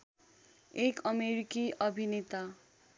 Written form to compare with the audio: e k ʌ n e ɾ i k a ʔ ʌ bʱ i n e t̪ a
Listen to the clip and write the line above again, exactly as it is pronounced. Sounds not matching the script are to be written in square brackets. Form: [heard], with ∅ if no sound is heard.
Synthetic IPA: e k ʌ [m] e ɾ i k [i] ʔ ʌ bʱ i n e t̪ a